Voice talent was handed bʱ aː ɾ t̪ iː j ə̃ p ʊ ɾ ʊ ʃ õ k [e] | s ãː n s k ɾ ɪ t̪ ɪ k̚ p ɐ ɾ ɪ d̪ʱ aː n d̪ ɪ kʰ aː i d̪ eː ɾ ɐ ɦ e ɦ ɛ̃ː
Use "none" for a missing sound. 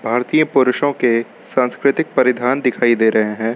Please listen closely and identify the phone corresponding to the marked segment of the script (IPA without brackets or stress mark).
e